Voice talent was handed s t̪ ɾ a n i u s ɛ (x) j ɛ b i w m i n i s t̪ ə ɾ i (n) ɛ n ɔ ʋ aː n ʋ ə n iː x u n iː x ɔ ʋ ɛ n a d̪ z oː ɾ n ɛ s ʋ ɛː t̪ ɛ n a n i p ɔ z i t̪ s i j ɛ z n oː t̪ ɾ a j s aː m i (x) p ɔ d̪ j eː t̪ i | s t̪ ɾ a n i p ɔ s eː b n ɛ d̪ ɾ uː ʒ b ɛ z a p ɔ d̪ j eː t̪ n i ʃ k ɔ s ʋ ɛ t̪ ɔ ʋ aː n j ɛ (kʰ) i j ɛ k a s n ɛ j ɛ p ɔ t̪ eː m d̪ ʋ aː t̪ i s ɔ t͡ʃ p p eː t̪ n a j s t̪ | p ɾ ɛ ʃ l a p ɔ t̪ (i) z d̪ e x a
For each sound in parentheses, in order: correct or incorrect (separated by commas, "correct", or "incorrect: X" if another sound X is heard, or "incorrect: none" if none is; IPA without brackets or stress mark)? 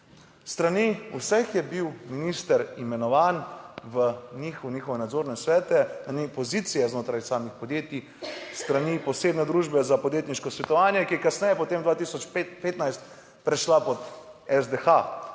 correct, incorrect: m, correct, incorrect: k, incorrect: ɛ